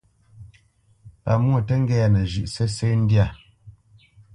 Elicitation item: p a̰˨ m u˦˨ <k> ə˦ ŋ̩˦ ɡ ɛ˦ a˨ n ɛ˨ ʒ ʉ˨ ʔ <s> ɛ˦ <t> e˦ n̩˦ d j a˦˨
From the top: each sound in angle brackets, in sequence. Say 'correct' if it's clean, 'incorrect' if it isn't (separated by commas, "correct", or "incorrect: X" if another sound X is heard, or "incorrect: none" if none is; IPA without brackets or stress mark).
incorrect: t, correct, incorrect: s